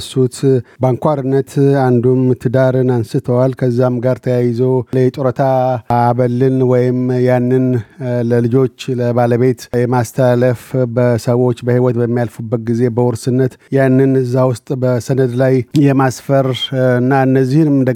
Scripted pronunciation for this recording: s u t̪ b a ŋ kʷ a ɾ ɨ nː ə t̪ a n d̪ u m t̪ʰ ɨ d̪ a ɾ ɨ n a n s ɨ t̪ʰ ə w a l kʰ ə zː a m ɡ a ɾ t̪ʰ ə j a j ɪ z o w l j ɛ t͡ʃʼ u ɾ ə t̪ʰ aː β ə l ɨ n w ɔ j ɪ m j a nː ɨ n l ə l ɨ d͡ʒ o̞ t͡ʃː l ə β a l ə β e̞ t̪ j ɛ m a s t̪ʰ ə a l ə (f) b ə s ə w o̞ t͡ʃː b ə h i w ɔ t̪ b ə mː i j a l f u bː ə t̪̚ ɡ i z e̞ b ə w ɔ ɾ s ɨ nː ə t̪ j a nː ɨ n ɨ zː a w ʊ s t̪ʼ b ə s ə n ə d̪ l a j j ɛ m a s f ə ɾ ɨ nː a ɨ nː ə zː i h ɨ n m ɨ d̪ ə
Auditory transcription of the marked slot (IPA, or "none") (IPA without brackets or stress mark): f